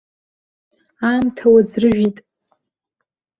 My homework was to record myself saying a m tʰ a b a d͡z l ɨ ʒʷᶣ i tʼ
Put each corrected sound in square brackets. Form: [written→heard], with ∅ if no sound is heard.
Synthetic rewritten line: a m tʰ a [b→w] a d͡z [l→r] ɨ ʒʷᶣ i tʼ